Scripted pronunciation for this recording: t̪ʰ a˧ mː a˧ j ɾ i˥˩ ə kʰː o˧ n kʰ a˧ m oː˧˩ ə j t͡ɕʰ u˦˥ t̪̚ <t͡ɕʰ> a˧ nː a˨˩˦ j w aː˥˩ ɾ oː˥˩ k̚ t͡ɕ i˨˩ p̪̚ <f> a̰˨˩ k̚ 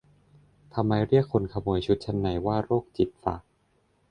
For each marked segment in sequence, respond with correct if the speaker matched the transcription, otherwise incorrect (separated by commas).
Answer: correct, correct